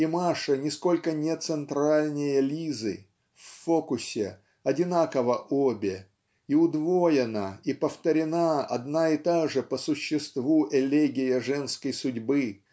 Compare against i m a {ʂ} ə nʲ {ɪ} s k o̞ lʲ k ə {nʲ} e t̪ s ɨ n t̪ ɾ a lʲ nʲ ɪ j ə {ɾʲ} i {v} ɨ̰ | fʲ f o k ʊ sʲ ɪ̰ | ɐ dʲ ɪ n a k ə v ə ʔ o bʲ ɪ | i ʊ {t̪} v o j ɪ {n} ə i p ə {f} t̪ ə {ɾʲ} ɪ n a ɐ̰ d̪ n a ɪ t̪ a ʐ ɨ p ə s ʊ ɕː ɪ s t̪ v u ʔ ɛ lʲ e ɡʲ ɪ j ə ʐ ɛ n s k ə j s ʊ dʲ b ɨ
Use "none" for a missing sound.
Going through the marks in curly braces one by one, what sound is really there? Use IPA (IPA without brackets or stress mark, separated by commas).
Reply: ʂ, ɪ, nʲ, lʲ, z, d̪, n, f, ɾʲ